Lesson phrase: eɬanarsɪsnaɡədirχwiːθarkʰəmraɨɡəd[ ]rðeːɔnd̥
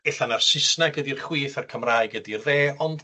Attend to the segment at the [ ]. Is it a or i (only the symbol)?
i